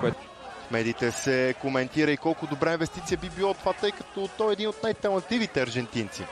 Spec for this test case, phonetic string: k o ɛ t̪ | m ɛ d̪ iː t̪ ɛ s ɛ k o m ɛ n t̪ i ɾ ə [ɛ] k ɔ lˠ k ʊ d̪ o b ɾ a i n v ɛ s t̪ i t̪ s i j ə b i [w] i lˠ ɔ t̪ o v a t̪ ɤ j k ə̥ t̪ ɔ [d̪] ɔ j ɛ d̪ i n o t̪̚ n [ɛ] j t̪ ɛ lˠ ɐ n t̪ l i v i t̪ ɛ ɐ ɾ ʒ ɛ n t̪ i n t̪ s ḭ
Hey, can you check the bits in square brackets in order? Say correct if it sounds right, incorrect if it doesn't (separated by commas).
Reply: incorrect, incorrect, incorrect, incorrect